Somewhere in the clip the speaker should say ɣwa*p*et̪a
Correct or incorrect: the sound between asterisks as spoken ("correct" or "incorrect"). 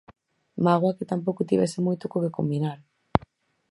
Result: incorrect